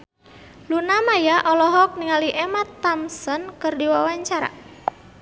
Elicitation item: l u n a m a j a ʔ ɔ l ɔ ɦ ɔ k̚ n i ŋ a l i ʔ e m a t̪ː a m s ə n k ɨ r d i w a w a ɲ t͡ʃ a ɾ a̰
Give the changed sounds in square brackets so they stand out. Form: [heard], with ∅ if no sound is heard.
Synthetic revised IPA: l u n a m a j a ʔ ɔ l ɔ ɦ ɔ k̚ n i ŋ a l i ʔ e m a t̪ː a m s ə n k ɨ r d i w a w a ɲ t͡ʃ a ɾ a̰